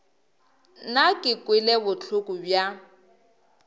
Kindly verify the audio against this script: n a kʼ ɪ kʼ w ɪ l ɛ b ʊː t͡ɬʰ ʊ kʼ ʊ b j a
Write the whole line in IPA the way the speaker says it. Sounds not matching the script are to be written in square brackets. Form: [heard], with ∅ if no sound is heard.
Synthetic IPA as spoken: n a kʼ ɪ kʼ w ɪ l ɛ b [ʊ] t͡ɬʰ ʊ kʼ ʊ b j a